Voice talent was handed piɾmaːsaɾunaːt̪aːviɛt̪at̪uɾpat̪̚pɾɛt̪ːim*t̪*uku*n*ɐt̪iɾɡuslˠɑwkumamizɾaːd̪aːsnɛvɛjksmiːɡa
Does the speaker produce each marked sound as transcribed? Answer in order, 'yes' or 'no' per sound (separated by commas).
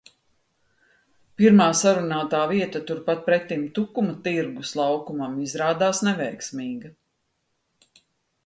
yes, no